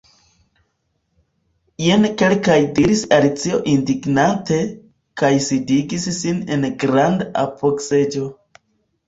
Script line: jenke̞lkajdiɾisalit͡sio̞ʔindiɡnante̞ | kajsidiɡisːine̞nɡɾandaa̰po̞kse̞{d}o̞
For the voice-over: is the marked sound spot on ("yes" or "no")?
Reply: no